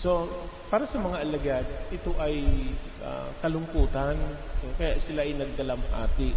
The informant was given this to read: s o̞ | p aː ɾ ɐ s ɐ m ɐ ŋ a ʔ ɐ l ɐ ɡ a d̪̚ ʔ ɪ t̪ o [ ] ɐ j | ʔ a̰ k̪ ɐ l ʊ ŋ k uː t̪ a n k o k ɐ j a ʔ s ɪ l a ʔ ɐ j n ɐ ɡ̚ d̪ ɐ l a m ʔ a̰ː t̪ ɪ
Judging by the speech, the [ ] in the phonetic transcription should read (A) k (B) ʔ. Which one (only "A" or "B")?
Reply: B